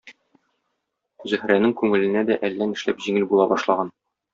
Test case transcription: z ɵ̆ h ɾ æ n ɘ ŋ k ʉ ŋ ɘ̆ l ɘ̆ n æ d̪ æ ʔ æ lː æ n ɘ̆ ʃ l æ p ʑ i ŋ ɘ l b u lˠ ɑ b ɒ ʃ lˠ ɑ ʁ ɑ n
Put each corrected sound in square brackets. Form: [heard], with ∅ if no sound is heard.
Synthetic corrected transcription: z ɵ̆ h ɾ æ n ɘ ŋ k ʉ ŋ ɘ̆ l ɘ̆ n æ d̪ æ ʔ æ lː æ n ɘ̆ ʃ l æ p ʑ i ŋ ɘ l b u lˠ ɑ b ɒ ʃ lˠ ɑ ʁ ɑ n